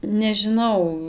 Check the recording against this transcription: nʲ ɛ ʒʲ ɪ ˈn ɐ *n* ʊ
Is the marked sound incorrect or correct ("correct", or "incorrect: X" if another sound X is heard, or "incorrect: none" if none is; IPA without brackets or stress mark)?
incorrect: none